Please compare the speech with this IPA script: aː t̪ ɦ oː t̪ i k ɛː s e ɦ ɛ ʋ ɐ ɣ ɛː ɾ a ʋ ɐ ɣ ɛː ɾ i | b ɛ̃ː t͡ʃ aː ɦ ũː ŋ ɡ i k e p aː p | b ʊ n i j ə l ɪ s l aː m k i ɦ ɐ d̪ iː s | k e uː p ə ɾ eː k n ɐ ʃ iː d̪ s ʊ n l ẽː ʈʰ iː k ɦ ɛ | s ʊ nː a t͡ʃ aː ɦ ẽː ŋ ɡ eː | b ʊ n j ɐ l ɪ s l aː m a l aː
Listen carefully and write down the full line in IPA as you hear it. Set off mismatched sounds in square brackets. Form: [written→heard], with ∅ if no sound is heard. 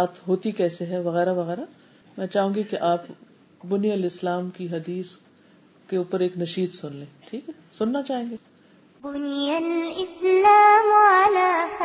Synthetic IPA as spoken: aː t̪ ɦ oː t̪ i k ɛː s e ɦ ɛ ʋ ɐ ɣ ɛː ɾ a ʋ ɐ ɣ ɛː ɾ [i→a] | [b→m] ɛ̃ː t͡ʃ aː ɦ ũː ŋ ɡ i k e [p→ʔ] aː p | b ʊ n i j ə l ɪ s l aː m k i ɦ ɐ d̪ iː s | k e uː p ə ɾ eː k n ɐ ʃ iː d̪ s ʊ n l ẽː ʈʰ iː k ɦ ɛ | s ʊ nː a t͡ʃ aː ɦ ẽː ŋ ɡ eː | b ʊ n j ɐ l ɪ s l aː m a l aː